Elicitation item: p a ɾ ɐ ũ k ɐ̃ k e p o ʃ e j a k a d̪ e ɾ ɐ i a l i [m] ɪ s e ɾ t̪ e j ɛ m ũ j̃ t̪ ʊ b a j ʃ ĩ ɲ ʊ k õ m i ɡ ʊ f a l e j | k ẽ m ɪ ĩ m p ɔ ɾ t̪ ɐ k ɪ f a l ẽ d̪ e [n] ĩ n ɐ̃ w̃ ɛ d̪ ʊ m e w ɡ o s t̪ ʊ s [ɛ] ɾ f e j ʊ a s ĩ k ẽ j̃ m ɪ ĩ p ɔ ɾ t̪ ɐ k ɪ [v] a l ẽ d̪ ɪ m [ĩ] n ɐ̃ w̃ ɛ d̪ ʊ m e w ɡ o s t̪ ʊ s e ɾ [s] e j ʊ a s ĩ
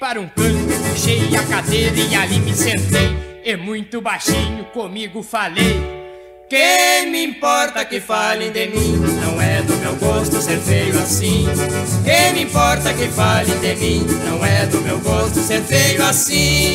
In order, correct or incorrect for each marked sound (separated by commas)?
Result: correct, incorrect, incorrect, incorrect, correct, incorrect